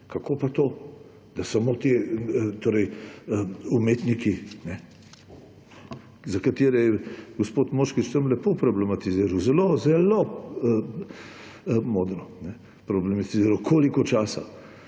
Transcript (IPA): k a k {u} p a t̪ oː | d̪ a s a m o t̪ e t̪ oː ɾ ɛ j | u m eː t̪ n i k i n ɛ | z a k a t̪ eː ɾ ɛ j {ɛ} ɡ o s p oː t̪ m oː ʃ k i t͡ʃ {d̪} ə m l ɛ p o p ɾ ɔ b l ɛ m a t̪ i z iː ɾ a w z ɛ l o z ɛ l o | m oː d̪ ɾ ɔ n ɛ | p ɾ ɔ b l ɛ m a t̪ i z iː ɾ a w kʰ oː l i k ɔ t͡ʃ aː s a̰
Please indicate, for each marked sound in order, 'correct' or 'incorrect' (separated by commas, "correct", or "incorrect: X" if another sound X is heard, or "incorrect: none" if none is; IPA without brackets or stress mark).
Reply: incorrect: o, correct, incorrect: t̪